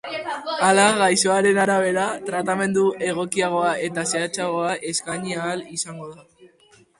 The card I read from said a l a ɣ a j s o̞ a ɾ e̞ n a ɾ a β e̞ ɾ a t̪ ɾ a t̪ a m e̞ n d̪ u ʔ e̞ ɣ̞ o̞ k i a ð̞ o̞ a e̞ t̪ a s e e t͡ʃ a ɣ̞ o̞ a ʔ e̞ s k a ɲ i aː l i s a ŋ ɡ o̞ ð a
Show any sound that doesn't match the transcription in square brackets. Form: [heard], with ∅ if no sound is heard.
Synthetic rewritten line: a l a ɣ a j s o̞ a ɾ e̞ n a ɾ a β e̞ ɾ a t̪ ɾ a t̪ a m e̞ n d̪ u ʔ e̞ ɣ̞ o̞ k i a [ɣ̞] o̞ a e̞ t̪ a s e [a] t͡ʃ a ɣ̞ o̞ a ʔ e̞ s k a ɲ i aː l i s a ŋ ɡ o̞ ð a